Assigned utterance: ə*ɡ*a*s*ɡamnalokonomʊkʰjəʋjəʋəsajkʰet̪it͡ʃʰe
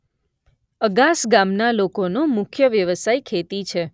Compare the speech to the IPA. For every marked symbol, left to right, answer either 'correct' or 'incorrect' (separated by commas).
correct, correct